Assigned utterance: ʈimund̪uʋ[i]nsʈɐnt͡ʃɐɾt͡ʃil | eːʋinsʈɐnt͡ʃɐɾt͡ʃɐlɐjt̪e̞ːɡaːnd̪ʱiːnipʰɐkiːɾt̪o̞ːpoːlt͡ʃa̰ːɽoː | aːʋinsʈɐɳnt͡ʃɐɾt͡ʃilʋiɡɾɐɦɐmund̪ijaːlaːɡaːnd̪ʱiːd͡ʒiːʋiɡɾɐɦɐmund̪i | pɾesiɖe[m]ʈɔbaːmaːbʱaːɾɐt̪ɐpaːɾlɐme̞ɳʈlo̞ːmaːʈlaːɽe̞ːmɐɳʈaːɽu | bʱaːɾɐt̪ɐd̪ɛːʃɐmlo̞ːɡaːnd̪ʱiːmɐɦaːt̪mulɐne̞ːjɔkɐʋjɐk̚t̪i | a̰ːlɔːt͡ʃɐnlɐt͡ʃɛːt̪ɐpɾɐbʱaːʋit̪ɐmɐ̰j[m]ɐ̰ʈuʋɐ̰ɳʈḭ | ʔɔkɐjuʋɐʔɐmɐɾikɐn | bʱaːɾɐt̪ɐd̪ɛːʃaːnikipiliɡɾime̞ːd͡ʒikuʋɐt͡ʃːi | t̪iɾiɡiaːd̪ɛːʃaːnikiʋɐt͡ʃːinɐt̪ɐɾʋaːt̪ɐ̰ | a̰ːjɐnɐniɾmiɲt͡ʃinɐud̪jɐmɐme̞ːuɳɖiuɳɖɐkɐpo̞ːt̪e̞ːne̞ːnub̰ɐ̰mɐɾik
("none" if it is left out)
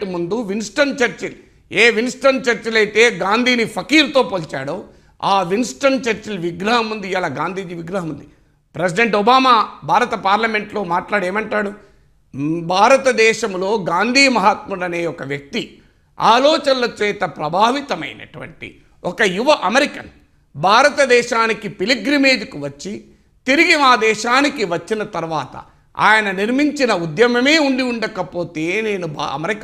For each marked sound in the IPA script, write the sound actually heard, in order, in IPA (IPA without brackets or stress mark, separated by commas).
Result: i, ɳ, n